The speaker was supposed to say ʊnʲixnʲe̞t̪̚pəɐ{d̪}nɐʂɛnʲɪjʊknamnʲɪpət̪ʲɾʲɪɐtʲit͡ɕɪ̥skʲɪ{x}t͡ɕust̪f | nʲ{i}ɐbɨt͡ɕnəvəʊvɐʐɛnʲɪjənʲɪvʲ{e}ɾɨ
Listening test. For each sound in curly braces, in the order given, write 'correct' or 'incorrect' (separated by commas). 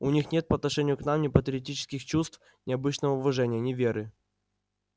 incorrect, correct, incorrect, correct